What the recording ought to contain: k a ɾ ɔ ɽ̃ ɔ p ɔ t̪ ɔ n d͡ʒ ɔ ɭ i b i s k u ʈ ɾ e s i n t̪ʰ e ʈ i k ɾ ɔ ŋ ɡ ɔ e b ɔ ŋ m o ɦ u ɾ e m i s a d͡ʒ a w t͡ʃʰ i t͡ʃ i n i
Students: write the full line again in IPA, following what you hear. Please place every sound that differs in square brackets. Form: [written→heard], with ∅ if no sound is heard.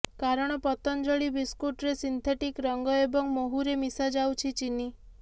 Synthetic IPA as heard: k a ɾ ɔ ɽ̃ ɔ p ɔ t̪ ɔ n d͡ʒ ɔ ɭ i b i s k u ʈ ɾ e s i n t̪ʰ e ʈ i k ɾ ɔ ŋ ɡ ɔ e b ɔ ŋ m o ɦ u ɾ e m i s a d͡ʒ a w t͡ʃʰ i t͡ʃ i n i